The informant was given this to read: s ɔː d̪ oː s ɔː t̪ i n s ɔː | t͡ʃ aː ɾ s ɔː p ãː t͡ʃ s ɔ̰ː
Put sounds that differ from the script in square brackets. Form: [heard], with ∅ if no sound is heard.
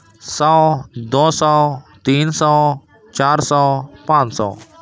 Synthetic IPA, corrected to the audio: s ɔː d̪ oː s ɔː t̪ [iː] n s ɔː | t͡ʃ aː ɾ s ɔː p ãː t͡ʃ s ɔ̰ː